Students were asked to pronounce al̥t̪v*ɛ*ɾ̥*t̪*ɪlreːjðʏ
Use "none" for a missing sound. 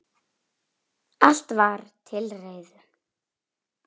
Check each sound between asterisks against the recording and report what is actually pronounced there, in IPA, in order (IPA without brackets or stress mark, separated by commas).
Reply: a, t̪ʰ